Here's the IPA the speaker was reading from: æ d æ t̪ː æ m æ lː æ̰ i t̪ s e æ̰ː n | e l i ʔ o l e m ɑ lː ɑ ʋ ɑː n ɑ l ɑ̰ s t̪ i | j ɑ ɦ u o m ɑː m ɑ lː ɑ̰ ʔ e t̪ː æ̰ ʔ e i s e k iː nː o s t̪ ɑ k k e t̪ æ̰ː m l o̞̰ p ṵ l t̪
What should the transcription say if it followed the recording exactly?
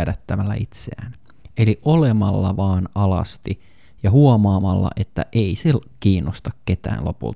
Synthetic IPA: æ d æ t̪ː æ m æ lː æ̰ i t̪ s e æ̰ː n | e l i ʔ o l e m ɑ lː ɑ ʋ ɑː n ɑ l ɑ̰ s t̪ i | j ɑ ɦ u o m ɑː m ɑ lː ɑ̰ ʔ e t̪ː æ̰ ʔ e i s e k iː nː o s t̪ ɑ k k e t̪ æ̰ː n l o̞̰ p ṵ l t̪